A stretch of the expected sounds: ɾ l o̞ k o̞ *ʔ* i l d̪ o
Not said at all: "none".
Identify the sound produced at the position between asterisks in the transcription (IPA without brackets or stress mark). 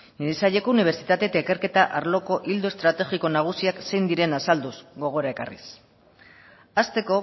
ʔ